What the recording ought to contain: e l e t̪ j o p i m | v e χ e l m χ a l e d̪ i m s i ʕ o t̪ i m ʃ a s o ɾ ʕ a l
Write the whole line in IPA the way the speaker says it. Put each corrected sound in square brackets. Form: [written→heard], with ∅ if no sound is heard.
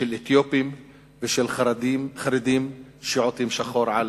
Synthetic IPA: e l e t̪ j o p i m | v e [χ→ʃ] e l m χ a [l→ɾ] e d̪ i m [s→ʃ] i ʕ o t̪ i m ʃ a [s→χ] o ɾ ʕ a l